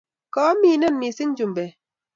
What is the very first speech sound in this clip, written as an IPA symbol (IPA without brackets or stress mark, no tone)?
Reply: k